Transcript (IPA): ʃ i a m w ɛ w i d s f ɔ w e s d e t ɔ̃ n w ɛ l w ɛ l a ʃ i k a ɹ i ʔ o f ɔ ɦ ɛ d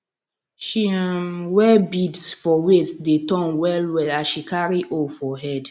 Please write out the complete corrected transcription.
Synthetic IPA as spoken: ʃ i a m w ɛ b i d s f ɔ w e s d e t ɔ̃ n w ɛ l w ɛ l a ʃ i k a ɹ i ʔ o f ɔ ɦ ɛ d